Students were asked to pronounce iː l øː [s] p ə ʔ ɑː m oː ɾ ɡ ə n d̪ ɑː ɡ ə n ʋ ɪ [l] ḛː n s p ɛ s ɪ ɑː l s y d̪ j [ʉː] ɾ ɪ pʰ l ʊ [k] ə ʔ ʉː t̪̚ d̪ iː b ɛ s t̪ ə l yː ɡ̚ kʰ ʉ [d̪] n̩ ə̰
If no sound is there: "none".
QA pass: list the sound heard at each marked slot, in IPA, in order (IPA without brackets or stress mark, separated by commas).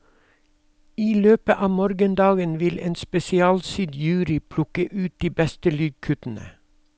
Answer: none, l, ʉː, k, t̪